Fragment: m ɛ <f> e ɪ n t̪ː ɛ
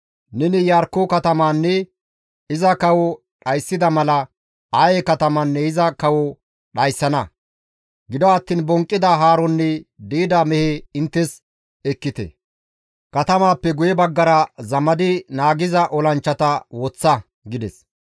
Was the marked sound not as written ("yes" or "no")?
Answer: yes